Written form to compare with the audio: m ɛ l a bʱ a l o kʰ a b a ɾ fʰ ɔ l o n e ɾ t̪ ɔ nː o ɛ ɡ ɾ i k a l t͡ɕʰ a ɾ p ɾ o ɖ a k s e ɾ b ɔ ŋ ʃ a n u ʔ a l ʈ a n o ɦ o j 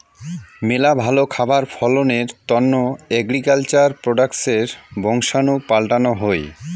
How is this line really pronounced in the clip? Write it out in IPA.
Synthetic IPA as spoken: m e l a bʱ a l o kʰ a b a ɾ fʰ ɔ l o n e ɾ t̪ ɔ nː o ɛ ɡ ɾ i k a l t͡ɕ a ɾ p ɾ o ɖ a k s e ɾ b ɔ ŋ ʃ a n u p a l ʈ a n o ɦ o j